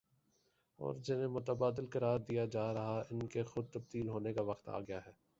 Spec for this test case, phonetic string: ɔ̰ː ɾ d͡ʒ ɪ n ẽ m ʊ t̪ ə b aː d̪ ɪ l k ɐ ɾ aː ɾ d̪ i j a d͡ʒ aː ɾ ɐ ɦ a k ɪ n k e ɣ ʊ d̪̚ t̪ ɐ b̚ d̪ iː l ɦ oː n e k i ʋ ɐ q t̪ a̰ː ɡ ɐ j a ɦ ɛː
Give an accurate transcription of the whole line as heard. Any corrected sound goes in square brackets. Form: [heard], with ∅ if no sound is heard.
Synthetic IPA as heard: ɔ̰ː ɾ d͡ʒ ɪ n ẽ m ʊ t̪ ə b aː d̪ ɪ l k ɐ ɾ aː ɾ d̪ i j a d͡ʒ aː ɾ ɐ ɦ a [∅] ɪ n k e [x] ʊ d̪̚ t̪ ɐ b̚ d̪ iː l ɦ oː n e k [a] ʋ ɐ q t̪ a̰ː ɡ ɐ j a ɦ ɛː

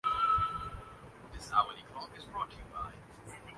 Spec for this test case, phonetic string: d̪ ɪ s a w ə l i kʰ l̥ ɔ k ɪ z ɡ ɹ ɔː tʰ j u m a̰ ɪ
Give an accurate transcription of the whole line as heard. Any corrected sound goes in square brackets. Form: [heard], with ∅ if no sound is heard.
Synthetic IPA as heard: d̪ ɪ s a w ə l i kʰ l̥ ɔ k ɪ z [b] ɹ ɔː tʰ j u [b] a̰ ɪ

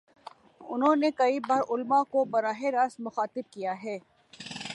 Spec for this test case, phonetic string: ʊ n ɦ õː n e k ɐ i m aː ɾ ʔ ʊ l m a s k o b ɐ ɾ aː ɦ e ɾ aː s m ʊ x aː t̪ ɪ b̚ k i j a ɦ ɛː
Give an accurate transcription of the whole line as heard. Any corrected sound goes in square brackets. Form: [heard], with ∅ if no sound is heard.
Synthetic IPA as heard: ʊ n ɦ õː n e k ɐ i [b] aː ɾ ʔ ʊ l m a [∅] k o b ɐ ɾ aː ɦ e ɾ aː s m ʊ x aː t̪ ɪ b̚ k i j a ɦ ɛː

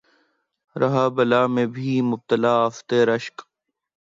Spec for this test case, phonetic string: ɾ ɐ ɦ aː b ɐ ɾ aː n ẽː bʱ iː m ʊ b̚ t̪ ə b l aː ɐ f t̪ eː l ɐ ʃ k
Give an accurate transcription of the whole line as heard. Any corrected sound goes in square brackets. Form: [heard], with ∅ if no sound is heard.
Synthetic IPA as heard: ɾ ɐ ɦ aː b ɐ [l] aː [m] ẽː bʱ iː m ʊ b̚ t̪ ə [∅] l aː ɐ f t̪ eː [ɾ] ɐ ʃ k

